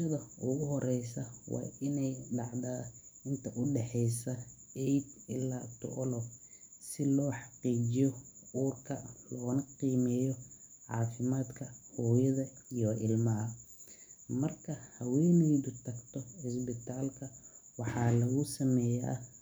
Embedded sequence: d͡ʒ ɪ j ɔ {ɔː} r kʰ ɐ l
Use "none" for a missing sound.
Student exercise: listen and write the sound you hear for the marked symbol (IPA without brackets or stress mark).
uː